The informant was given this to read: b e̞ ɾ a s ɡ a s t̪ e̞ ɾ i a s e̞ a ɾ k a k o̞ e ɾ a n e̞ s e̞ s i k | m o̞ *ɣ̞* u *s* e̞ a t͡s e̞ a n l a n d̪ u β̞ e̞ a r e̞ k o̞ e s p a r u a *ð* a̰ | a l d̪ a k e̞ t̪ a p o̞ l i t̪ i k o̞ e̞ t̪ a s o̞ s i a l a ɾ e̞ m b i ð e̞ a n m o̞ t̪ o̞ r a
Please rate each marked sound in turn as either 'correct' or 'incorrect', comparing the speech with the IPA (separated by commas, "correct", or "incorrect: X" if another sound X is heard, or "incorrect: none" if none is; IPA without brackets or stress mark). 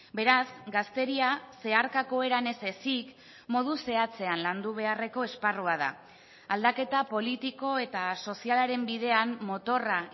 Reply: incorrect: ð̞, correct, correct